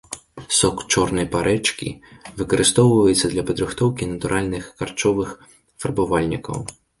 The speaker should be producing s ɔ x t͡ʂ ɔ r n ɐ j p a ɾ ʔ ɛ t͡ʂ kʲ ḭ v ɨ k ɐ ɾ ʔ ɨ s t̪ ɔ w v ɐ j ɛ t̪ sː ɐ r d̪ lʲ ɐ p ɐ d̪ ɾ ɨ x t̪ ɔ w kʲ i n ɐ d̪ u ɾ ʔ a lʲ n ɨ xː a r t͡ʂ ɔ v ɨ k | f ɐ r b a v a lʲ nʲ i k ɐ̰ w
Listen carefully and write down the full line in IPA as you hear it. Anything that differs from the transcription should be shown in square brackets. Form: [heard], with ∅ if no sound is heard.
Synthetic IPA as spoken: s ɔ [k] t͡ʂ ɔ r n ɐ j p a ɾ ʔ ɛ t͡ʂ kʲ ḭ v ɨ k ɐ ɾ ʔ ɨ s t̪ ɔ w v ɐ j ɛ t̪ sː ɐ [∅] d̪ lʲ ɐ p ɐ d̪ ɾ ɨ x t̪ ɔ w kʲ i n ɐ [t̪] u ɾ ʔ a lʲ n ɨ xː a r t͡ʂ ɔ v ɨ [x] | f ɐ r b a v a lʲ nʲ i k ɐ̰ w